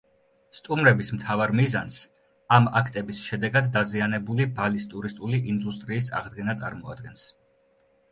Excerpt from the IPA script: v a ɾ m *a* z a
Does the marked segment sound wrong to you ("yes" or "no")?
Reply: yes